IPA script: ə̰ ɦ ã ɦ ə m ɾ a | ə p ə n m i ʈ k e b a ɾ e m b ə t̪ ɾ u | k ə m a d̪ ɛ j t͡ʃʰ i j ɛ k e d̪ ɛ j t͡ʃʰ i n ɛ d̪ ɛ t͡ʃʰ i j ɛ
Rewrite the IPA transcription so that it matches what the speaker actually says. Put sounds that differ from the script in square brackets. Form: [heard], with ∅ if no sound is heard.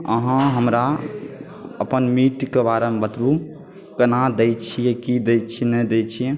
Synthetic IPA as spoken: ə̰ ɦ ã ɦ ə m ɾ a | ə p ə n m i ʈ k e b a ɾ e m b ə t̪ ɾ u | k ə [n] a d̪ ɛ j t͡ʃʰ i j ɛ k [i] d̪ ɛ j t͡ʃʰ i n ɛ d̪ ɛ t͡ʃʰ i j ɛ